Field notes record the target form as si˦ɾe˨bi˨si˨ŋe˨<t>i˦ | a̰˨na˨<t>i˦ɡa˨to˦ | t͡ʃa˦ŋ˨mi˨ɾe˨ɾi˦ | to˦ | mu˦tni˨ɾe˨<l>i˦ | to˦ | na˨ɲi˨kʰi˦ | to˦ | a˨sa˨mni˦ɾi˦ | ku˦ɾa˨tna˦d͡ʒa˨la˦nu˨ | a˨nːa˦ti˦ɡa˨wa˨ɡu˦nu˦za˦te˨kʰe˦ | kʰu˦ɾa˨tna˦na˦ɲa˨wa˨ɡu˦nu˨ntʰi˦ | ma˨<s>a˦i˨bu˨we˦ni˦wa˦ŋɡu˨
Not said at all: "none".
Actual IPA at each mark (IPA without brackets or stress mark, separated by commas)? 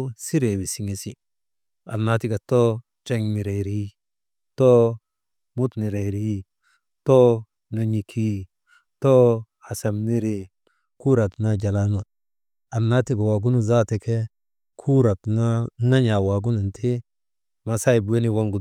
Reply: s, t, ɾ, s